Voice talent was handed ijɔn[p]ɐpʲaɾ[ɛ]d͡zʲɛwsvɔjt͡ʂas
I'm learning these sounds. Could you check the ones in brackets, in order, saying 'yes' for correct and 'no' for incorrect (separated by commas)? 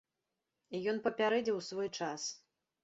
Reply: yes, yes